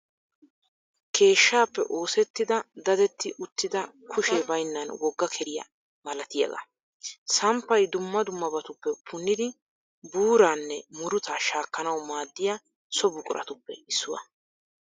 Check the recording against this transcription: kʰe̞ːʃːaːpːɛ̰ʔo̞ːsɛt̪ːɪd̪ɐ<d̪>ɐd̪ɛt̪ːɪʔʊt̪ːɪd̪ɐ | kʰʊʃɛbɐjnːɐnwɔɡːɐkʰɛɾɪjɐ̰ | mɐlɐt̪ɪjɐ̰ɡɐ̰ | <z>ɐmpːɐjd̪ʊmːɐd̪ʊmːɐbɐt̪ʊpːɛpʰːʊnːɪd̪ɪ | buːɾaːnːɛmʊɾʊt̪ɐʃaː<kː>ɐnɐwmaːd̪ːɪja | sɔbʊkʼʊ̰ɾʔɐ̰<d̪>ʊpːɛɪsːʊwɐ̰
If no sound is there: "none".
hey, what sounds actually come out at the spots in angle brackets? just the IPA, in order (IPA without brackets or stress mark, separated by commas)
d̪, s, kː, t̪